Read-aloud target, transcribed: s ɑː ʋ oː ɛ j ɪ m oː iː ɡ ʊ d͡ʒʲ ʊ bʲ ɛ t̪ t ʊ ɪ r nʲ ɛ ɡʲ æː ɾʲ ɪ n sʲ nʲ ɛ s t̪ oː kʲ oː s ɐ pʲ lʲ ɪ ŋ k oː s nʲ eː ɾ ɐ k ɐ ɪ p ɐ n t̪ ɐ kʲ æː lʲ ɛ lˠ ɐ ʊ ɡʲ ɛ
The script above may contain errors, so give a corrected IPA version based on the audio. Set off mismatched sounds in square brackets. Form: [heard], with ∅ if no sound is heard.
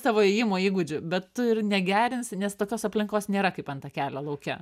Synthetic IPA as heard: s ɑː ʋ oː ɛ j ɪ m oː iː ɡ ʊ d͡ʒʲ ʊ bʲ ɛ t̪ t ʊ ɪ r nʲ ɛ ɡʲ æː ɾʲ ɪ n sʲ nʲ ɛ s t̪ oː kʲ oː s ɐ pʲ lʲ ɪ ŋ k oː s nʲ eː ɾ ɐ k ɐ ɪ p ɐ n t̪ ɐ kʲ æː lʲ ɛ lˠ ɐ ʊ [kʲ] ɛ